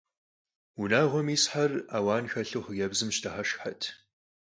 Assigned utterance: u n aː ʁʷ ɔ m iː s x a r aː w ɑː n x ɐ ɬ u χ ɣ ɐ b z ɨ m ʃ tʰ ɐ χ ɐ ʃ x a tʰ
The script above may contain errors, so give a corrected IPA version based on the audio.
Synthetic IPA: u n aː ʁʷ ɔ m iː s ħ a r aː w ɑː n x ɐ ɬ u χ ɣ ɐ b z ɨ m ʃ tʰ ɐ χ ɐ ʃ ħ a tʰ

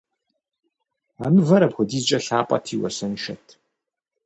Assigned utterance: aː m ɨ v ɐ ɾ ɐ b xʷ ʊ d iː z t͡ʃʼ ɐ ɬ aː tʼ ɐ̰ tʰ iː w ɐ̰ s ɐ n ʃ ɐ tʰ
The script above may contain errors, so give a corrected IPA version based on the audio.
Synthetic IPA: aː m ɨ v ɐ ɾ ɐ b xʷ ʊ d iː z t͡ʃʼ ɐ ɬ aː pʼ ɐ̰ tʰ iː w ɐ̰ s ɐ n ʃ ɐ tʰ

